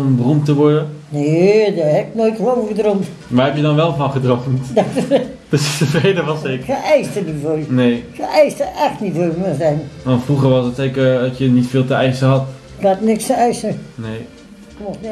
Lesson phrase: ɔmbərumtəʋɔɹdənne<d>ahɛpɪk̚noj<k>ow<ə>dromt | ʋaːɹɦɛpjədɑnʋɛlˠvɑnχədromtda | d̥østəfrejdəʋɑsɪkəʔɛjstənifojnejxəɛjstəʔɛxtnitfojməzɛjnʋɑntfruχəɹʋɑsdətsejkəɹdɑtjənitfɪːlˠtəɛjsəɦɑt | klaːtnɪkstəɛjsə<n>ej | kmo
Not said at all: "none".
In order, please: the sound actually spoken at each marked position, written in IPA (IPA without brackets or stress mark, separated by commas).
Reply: d, t, ə, n